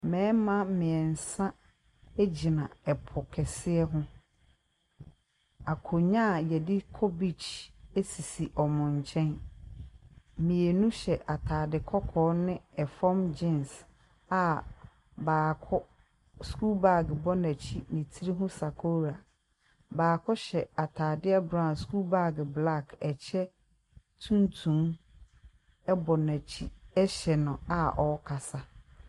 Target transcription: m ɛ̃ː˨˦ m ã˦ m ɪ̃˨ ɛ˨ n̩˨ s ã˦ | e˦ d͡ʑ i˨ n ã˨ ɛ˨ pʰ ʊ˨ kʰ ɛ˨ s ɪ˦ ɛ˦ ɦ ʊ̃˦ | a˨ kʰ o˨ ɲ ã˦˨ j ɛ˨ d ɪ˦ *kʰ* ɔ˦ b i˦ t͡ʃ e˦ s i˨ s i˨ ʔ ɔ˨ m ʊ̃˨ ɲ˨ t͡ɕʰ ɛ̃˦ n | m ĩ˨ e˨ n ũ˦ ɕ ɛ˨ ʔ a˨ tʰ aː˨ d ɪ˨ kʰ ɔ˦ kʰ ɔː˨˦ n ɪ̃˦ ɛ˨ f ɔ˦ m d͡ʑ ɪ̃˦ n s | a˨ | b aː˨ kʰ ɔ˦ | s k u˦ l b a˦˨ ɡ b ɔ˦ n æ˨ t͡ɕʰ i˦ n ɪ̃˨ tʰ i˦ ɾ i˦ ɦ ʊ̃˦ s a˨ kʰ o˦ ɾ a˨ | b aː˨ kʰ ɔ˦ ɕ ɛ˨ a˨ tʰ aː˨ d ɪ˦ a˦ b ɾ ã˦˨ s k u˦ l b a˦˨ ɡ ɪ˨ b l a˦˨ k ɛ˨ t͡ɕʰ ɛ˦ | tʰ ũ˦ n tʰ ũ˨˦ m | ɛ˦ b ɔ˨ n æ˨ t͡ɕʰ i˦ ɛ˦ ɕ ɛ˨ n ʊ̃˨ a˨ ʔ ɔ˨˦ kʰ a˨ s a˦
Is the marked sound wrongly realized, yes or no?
no